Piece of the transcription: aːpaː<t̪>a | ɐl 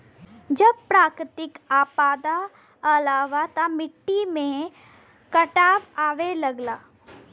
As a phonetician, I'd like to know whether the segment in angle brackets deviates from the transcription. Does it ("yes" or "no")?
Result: yes